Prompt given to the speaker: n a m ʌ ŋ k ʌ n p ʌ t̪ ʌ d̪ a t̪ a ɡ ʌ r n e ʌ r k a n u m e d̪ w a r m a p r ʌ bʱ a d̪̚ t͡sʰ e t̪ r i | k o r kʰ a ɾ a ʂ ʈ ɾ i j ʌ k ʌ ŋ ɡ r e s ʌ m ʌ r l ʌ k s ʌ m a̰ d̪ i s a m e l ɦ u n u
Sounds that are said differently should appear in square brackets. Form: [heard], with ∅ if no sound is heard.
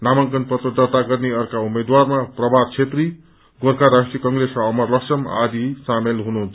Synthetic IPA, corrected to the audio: n a m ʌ ŋ k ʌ n p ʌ t̪ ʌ d̪ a t̪ a ɡ ʌ r n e ʌ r k a [∅] u m e d̪ w a r m a p r ʌ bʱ a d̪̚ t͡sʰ e t̪ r i | [ɡ] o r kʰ a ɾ a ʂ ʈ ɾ i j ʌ k ʌ ŋ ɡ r e s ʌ m ʌ r l ʌ k s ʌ m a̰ d̪ i s a m e l ɦ u n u